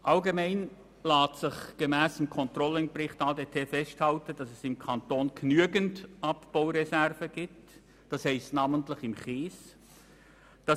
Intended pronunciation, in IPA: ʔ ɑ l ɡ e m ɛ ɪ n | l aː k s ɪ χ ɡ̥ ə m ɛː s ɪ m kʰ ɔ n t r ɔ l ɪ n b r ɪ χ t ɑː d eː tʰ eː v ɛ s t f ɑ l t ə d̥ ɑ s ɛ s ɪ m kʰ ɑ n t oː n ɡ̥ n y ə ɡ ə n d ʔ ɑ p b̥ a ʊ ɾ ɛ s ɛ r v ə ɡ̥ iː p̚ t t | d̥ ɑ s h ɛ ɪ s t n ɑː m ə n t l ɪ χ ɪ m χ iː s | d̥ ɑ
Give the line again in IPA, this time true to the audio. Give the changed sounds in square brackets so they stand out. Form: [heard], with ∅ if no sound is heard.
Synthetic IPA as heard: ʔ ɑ l ɡ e m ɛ ɪ n | l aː [t] s ɪ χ ɡ̥ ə m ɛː s ɪ m kʰ ɔ n t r ɔ l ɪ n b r ɪ χ t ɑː d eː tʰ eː [f] ɛ s t [h] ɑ l t ə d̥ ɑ s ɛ s ɪ m kʰ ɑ n t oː n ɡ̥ n y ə ɡ ə n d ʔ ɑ p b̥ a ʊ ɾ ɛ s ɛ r v ə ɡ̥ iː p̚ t t | d̥ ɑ s h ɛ ɪ s t n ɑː m ə n t l ɪ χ ɪ m χ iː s | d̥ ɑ